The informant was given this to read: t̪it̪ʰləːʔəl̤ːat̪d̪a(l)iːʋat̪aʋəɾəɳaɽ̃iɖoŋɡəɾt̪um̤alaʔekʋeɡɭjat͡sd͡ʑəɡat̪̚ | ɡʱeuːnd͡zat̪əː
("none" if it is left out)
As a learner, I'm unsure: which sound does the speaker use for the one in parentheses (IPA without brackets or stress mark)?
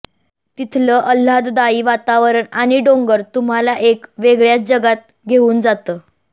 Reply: none